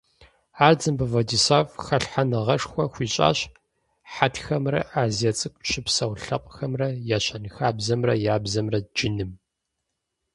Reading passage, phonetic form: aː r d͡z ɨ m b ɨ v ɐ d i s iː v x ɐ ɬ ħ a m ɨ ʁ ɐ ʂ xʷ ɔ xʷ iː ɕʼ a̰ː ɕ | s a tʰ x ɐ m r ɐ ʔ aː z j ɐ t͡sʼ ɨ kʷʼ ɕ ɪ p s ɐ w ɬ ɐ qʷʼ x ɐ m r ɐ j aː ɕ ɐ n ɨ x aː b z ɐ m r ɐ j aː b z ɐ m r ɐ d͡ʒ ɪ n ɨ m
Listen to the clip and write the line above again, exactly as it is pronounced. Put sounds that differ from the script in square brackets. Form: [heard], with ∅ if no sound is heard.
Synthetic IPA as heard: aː r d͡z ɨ m b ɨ v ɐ d i s [aː] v x ɐ ɬ ħ a [n] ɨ ʁ ɐ ʂ xʷ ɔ xʷ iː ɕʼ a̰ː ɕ | [ħ] a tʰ x ɐ m r ɐ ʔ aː z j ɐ t͡sʼ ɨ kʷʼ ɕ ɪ p s ɐ w ɬ ɐ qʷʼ x ɐ m r ɐ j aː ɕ ɐ n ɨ x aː b z ɐ m r ɐ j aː b z ɐ m r ɐ d͡ʒ ɪ n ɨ m